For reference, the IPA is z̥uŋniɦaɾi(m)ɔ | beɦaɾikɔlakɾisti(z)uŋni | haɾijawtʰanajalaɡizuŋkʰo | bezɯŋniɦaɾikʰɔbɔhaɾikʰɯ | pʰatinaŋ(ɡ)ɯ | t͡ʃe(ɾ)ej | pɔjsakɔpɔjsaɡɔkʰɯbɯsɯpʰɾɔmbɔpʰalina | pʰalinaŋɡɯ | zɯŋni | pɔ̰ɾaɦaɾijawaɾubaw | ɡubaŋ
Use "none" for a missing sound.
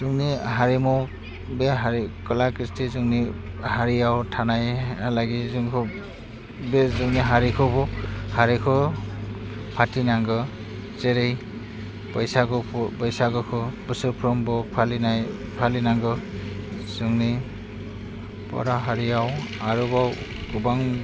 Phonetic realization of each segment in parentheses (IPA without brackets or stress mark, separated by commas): m, z, ɡ, ɾ